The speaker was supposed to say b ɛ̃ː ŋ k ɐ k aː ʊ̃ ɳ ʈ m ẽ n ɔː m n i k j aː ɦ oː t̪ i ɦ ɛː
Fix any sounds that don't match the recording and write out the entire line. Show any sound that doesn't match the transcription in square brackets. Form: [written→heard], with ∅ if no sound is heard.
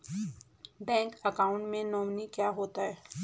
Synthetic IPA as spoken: b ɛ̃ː ŋ k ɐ k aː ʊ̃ ɳ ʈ m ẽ n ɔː m n i k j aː ɦ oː t̪ [i→a] ɦ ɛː

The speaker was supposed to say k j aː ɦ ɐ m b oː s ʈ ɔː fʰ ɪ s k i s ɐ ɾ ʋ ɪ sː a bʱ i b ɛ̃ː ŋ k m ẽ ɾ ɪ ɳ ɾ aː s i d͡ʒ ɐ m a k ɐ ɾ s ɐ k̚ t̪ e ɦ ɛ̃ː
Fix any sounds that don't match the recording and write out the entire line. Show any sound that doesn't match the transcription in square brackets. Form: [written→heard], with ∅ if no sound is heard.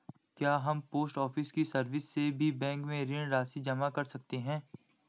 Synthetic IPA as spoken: k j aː ɦ ɐ m [b→p] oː s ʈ ɔː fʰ ɪ s k i s ɐ ɾ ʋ ɪ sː [a→e] bʱ i b ɛ̃ː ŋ k m ẽ ɾ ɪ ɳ ɾ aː s i d͡ʒ ɐ m a k ɐ ɾ s ɐ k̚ t̪ e ɦ ɛ̃ː

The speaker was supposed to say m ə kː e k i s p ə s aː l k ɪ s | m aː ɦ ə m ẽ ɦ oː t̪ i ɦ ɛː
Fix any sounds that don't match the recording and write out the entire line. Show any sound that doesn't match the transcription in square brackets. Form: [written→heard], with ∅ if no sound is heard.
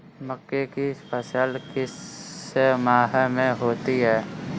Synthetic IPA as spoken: m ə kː e k i s p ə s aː l k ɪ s | m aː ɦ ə m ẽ ɦ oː t̪ i ɦ ɛː

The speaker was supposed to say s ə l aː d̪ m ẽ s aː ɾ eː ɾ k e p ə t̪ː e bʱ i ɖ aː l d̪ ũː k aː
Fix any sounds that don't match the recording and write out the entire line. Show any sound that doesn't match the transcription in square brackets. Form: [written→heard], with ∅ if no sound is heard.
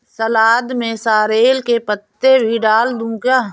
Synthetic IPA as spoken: s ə l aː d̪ m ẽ s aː ɾ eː [ɾ→l] k e p ə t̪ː e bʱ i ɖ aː l d̪ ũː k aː

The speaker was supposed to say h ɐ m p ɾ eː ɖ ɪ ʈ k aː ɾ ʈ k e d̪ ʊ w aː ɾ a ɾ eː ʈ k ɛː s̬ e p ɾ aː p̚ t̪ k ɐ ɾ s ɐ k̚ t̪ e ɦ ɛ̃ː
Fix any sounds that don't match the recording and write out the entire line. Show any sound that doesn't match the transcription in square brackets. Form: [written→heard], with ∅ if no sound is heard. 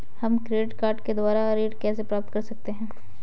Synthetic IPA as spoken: h ɐ m [p→k] ɾ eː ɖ ɪ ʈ k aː ɾ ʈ k e d̪ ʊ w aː ɾ a ɾ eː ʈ k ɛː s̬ e p ɾ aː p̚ t̪ k ɐ ɾ s ɐ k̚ t̪ e ɦ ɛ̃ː

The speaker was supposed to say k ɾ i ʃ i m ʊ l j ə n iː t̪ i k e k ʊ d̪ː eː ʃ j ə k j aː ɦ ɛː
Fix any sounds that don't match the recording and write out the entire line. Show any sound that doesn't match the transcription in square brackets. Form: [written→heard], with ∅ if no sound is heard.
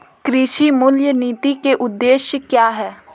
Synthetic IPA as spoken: k ɾ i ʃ i m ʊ l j ə n iː t̪ i k e [k→ʔ] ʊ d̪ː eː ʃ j ə k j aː ɦ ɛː

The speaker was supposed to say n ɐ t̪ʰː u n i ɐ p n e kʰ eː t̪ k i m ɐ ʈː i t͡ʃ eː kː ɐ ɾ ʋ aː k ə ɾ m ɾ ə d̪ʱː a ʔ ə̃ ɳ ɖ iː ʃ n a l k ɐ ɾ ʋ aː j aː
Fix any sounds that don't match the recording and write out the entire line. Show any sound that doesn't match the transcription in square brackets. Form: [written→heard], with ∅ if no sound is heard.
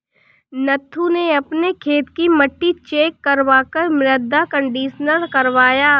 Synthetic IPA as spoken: n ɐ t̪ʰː u n [i→e] ɐ p n e kʰ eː t̪ k i m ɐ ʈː i t͡ʃ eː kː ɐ ɾ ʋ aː k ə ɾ m ɾ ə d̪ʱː a [ʔ→k] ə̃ ɳ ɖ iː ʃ n [a→ə] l k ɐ ɾ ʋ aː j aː

